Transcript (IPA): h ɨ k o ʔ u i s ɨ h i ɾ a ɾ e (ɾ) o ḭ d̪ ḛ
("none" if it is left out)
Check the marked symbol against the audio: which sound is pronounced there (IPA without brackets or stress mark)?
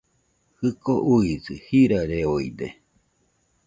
none